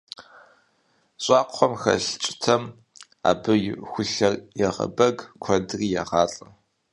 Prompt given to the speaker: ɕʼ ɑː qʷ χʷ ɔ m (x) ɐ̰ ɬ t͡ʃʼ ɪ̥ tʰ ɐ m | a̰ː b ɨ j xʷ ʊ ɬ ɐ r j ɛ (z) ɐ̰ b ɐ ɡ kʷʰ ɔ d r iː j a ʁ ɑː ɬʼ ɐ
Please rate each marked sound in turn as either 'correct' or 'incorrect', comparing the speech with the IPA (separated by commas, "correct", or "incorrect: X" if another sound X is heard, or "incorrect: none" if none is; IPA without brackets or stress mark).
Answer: correct, incorrect: ʁ